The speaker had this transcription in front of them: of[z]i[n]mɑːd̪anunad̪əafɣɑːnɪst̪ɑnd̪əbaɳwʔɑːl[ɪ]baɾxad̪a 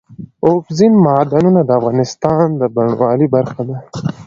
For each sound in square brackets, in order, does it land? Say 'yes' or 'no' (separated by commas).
yes, yes, no